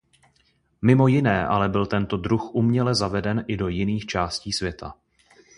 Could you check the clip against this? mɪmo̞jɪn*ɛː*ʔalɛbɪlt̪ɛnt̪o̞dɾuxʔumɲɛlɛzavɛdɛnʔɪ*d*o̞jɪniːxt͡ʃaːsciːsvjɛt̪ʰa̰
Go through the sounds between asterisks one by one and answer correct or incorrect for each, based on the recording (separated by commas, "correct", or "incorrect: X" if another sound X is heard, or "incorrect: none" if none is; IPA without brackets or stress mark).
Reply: correct, correct